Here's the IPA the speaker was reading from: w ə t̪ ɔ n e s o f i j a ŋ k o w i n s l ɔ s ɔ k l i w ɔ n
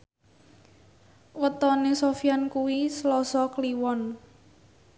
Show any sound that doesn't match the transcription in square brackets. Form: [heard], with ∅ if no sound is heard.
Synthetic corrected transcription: w ə t̪ ɔ n e s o f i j a [n] k [u] w i [∅] s l ɔ s ɔ k l i w ɔ n